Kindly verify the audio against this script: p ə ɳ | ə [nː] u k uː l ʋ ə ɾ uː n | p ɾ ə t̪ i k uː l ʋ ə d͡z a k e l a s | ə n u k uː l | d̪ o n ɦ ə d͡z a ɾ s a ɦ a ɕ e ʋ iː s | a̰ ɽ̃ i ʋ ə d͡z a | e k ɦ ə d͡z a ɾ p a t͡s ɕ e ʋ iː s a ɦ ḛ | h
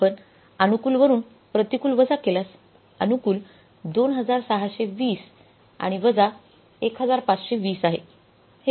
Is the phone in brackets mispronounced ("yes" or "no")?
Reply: yes